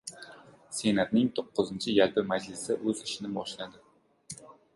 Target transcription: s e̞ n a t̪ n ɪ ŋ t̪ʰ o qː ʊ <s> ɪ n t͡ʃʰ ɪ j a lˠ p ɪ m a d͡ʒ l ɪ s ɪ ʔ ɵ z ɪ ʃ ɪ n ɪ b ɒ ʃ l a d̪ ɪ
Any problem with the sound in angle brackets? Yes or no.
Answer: yes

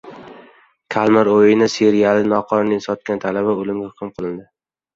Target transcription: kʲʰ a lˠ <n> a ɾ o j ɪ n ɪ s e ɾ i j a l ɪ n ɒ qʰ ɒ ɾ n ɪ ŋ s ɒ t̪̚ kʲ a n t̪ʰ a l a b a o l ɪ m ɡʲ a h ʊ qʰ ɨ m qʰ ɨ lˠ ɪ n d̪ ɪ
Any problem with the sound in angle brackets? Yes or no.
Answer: yes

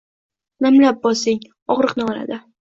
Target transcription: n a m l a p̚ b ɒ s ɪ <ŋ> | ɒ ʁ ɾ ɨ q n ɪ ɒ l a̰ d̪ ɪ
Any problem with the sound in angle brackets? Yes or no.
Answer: no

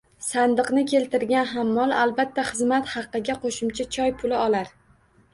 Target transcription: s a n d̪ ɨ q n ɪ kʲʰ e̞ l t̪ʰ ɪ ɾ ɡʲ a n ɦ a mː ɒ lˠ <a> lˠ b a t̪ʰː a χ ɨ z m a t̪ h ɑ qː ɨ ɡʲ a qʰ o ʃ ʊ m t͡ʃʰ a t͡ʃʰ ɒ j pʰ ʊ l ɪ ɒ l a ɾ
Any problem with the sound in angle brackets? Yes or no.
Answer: no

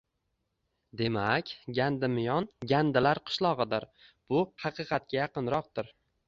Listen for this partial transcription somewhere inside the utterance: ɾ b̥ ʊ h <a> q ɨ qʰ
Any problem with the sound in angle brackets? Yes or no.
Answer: yes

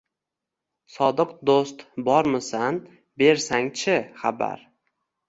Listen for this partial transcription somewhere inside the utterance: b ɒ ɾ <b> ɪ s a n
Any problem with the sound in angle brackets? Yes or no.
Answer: yes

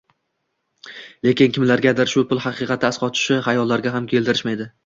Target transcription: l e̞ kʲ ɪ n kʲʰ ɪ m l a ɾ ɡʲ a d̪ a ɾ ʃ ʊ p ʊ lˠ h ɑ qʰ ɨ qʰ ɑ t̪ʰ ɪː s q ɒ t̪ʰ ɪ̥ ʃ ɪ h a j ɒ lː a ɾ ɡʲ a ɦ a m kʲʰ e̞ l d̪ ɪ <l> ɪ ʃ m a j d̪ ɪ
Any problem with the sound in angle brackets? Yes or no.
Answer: yes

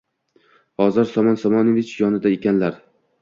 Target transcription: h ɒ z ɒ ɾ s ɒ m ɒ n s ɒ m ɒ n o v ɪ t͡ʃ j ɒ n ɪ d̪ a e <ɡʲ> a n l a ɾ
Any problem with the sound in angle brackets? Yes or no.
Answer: yes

